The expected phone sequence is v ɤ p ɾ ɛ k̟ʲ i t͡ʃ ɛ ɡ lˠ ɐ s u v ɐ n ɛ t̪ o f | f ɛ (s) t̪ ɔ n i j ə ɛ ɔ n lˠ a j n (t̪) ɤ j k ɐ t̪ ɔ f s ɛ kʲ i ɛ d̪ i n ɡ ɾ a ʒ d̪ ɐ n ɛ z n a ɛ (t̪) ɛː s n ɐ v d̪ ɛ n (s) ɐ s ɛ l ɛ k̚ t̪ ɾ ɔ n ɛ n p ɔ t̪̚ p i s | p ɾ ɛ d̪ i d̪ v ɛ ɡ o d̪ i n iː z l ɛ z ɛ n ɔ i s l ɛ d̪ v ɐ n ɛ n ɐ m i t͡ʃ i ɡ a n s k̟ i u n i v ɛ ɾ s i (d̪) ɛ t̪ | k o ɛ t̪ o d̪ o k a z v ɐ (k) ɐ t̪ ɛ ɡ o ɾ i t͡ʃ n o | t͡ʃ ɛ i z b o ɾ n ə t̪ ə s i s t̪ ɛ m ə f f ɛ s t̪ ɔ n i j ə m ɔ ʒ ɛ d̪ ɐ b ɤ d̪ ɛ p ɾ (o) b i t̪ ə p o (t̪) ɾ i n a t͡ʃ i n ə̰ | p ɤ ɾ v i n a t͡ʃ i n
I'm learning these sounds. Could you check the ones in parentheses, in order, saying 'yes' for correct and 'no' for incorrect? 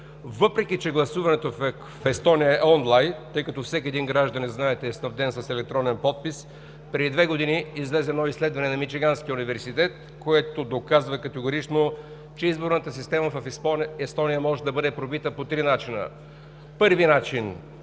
yes, yes, yes, yes, no, yes, yes, yes

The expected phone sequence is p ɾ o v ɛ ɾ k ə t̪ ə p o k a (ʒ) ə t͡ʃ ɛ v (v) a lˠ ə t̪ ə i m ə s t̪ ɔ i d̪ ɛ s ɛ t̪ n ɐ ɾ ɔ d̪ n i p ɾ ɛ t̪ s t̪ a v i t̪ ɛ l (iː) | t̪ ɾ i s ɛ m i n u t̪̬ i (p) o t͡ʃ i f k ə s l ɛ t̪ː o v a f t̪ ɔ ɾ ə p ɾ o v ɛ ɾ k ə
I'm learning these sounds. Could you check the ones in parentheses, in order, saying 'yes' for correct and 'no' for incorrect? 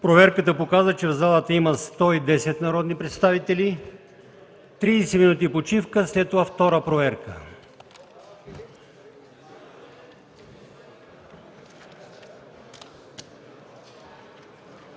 no, no, no, yes

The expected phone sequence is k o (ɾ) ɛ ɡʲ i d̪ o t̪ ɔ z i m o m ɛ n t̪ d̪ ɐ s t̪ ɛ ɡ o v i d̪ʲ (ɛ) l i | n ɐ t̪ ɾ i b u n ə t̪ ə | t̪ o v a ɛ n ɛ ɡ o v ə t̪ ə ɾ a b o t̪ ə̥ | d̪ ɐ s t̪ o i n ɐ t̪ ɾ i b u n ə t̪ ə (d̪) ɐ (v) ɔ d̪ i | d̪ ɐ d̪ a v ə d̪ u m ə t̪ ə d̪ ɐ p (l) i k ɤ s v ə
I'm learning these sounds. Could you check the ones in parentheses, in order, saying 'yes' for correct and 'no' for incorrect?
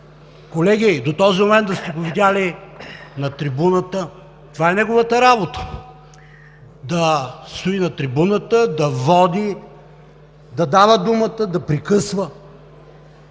no, no, yes, yes, no

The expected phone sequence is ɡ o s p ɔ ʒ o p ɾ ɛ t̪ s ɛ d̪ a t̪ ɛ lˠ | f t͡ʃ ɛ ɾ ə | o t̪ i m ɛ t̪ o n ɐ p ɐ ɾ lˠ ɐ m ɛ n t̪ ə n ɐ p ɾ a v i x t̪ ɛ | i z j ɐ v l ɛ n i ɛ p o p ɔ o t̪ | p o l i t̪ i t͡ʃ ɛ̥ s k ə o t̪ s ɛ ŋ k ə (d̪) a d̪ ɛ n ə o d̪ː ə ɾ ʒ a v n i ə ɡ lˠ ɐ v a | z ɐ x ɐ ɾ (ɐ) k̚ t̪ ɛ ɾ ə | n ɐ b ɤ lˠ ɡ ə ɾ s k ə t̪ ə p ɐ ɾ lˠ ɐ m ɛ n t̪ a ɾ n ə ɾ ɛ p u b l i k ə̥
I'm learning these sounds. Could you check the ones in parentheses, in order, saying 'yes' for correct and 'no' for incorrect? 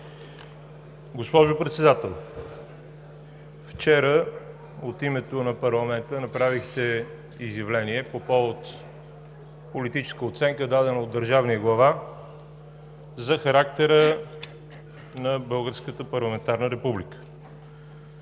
yes, no

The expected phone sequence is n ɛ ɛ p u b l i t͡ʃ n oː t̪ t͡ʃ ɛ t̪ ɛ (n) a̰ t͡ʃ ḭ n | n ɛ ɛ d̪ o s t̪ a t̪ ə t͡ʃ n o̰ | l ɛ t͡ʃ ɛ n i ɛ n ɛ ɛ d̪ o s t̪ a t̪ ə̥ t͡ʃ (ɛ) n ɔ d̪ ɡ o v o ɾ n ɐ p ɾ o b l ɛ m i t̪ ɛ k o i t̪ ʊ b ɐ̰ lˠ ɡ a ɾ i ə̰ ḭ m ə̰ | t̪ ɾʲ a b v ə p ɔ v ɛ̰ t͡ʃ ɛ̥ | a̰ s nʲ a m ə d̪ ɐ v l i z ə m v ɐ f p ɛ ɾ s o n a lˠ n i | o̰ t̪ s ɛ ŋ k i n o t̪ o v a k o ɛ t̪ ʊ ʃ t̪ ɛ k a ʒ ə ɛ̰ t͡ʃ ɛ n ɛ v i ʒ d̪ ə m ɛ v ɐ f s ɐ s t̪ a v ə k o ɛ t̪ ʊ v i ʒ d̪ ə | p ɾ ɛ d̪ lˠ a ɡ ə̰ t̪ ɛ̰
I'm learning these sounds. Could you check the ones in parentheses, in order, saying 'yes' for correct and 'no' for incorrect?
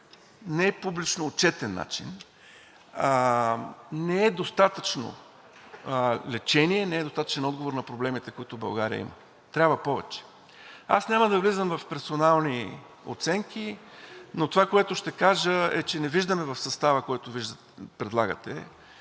no, yes

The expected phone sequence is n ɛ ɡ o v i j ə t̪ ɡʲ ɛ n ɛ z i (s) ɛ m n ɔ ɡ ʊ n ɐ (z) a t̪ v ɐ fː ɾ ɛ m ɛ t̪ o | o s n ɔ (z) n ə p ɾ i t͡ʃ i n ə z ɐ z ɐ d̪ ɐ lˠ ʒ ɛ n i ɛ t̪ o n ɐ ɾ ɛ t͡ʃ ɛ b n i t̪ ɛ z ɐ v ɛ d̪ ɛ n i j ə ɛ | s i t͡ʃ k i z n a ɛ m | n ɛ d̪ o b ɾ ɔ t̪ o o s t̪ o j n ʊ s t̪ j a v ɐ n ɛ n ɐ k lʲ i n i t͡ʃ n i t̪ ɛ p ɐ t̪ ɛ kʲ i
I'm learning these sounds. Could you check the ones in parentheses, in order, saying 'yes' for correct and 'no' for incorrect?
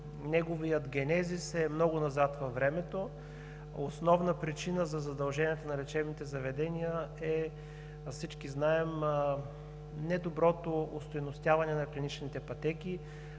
yes, yes, no

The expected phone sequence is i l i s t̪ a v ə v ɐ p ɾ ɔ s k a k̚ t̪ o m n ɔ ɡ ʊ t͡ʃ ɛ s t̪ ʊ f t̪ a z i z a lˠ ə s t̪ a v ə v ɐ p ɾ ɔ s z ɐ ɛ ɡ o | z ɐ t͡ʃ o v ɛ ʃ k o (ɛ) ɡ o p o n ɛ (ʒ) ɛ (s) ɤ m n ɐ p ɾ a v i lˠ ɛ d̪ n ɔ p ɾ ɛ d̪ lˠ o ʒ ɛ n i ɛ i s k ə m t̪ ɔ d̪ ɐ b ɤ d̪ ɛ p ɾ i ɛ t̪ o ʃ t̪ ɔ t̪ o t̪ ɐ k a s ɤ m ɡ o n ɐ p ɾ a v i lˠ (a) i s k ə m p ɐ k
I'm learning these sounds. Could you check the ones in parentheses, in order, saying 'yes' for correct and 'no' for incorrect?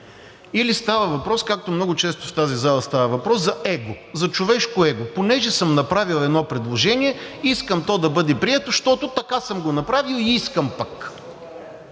yes, yes, yes, no

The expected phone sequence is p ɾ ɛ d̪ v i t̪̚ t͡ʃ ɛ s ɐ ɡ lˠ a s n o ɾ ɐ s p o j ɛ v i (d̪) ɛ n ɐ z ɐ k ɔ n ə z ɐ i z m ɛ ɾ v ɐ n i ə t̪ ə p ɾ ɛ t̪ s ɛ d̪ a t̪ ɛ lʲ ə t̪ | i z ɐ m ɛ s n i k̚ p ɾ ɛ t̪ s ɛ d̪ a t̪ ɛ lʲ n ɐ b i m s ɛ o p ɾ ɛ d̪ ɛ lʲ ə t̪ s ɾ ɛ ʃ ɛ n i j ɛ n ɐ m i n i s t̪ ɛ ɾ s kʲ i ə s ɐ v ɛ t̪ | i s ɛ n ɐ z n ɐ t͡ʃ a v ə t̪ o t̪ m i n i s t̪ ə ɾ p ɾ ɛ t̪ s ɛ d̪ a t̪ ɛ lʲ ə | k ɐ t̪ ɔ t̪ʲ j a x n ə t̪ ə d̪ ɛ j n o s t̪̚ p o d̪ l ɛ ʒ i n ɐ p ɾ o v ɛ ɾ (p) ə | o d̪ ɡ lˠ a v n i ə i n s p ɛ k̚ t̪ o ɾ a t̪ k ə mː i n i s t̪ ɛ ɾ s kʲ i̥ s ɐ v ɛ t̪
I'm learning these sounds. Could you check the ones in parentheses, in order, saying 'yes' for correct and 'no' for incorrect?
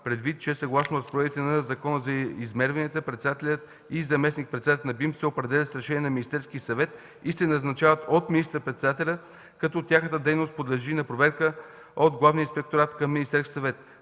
no, no

